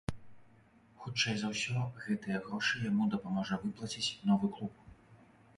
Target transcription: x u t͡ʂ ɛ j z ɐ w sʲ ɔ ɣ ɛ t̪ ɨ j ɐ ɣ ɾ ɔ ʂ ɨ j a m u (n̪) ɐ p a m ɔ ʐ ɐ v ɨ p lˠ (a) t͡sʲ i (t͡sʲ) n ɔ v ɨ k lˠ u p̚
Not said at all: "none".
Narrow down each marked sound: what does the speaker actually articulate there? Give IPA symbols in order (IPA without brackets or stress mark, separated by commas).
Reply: d̪, ɐ, t͡sʲ